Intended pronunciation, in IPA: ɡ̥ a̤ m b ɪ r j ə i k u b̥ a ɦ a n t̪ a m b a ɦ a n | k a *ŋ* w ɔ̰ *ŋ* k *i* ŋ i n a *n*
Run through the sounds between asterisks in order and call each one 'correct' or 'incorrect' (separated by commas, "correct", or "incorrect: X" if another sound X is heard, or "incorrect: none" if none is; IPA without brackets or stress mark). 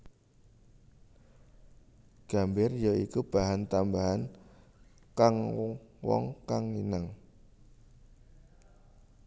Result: correct, correct, incorrect: a, incorrect: ŋ